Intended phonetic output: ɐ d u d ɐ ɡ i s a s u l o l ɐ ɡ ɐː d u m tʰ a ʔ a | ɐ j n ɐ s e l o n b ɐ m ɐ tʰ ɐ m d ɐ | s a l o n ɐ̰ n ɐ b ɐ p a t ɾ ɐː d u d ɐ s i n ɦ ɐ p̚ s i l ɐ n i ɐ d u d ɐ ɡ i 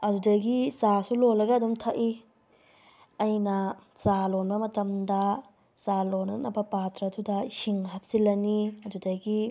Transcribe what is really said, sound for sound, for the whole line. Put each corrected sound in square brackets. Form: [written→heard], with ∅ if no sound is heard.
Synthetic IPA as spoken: ɐ d u d ɐ ɡ i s a s u l o l ɐ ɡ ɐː d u m tʰ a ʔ [a→i] | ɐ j n ɐ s [e→a] l o n b ɐ m ɐ [tʰ→t] ɐ m d ɐ | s a l o n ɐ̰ n ɐ b ɐ p a t ɾ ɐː d u d ɐ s i [n→ŋ] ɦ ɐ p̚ s i l ɐ n i ɐ d u d ɐ ɡ i